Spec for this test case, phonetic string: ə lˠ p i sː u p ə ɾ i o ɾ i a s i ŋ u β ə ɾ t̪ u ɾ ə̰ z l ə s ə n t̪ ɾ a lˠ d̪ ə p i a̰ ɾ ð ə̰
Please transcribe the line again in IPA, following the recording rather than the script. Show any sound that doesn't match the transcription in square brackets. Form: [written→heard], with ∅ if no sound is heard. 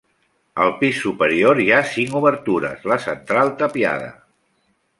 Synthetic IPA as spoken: ə lˠ p i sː u p ə ɾ i o ɾ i a s i ŋ u β ə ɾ t̪ u ɾ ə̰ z l ə s ə n t̪ ɾ a lˠ [d̪→t̪] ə p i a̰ [ɾ→∅] ð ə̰

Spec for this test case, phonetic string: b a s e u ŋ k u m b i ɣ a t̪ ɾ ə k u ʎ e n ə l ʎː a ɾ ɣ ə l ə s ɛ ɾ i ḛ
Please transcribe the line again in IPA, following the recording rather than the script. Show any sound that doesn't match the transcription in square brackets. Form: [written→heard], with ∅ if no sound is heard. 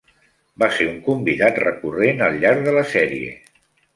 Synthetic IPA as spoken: b a s e u ŋ k u m b i [ɣ→ð] a t̪ [ɾ→r] ə k u [ʎ→r] e n ə l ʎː a ɾ [ɣ→ð] ə l ə s ɛ ɾ i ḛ

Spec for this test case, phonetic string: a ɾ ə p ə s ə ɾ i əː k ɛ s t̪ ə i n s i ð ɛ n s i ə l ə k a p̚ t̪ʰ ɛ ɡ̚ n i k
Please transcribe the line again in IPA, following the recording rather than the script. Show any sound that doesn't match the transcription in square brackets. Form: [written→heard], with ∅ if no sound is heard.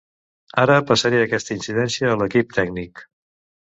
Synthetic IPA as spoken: a ɾ ə p ə s ə ɾ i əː k ɛ s t̪ ə i n s i ð ɛ n s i [ə→əː] l ə k [a→i] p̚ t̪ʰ ɛ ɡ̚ n i k

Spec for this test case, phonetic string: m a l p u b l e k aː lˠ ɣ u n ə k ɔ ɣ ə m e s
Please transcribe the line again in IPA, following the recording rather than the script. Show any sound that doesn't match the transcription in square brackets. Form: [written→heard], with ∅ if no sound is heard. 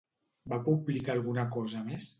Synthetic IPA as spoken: [m→b] a [l→∅] p u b l [e→i] k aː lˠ ɣ u n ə k ɔ [ɣ→z] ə m e s

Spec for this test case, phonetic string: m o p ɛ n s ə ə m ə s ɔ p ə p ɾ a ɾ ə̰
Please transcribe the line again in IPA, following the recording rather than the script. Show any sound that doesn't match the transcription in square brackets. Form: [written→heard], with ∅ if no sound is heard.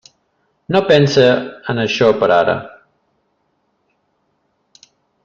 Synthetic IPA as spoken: [m→n] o p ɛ n s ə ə [m→n] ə [s→ʃ] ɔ p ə [p→∅] ɾ a ɾ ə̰

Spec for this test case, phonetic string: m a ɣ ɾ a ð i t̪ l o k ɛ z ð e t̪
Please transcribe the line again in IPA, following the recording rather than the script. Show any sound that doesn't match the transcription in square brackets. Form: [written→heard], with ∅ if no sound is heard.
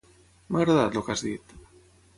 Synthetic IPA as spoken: m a ɣ ɾ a ð [i→a] t̪ l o k [ɛ→a] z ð [e→i] t̪

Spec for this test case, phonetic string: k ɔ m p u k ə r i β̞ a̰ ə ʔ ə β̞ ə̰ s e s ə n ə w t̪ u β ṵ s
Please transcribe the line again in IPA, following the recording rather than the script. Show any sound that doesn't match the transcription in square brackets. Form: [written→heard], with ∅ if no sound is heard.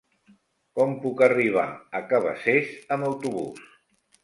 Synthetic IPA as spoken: k ɔ m p u k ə r i β̞ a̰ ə [ʔ→k] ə β̞ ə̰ s e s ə [n→m] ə w t̪ u β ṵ s

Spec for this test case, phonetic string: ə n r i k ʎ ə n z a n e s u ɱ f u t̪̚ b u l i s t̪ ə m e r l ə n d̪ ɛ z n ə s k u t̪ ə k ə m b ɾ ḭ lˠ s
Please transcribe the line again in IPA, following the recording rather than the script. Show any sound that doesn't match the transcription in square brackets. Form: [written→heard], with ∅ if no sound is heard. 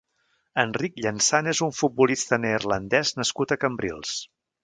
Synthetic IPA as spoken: ə n r i k ʎ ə n [z→s] a n e [s→z] u ɱ f u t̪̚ b u l i s t̪ ə [m→n] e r l ə n d̪ ɛ z n ə s k u t̪ ə k ə m b ɾ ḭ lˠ s

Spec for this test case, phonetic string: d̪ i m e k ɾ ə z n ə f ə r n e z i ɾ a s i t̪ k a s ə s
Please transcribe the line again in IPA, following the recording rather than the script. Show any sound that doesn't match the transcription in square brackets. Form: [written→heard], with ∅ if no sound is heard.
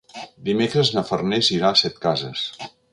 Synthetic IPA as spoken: d̪ i m e k ɾ ə z n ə f ə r n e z i ɾ a s [i→ɛ] t̪ k a [s→z] ə s

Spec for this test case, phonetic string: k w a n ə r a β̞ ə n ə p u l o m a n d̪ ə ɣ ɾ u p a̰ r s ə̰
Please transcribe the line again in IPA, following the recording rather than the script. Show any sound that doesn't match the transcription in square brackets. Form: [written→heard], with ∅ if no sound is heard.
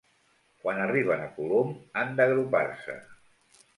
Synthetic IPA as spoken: k w a n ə r [a→i] β̞ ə n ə [p→k] u l o m a n d̪ ə ɣ ɾ u p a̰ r s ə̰

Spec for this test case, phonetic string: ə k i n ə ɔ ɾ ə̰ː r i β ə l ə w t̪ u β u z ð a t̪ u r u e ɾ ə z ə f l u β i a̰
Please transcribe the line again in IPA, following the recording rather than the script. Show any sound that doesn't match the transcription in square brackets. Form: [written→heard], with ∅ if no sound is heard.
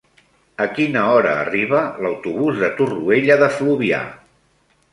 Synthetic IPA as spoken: ə k i n ə ɔ ɾ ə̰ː r i β ə l ə w t̪ u β u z ð [a→ə] t̪ u r u e [ɾ→ʎ] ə [z→ð] ə f l u β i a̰

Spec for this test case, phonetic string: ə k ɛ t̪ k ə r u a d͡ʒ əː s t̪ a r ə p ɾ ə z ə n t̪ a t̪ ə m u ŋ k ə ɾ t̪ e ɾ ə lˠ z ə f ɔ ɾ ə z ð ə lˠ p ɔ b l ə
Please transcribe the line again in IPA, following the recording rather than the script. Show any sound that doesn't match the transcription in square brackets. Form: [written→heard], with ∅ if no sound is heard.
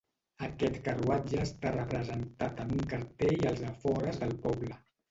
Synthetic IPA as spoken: ə k ɛ t̪ k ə r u a d͡ʒ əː s t̪ a r ə p ɾ ə z ə n t̪ a t̪ ə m u ŋ k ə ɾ t̪ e [ɾ→ʎ] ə lˠ z ə f ɔ ɾ ə z ð ə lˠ p ɔ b l ə

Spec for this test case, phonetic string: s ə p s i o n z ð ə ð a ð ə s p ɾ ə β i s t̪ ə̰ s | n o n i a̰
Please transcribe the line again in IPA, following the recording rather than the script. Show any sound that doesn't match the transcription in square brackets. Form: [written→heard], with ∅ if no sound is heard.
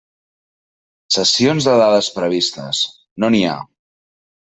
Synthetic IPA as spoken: s ə [p→∅] s i o n z ð ə ð a ð ə s p ɾ ə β i s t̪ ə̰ s | n o n i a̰

